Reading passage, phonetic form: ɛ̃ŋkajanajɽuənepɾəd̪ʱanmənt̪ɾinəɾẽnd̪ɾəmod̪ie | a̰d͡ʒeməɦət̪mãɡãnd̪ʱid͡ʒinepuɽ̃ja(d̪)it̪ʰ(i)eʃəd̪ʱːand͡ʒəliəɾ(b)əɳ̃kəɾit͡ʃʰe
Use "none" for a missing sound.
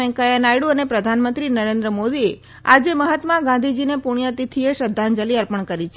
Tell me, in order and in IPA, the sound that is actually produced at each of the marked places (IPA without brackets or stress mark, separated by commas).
t̪, i, p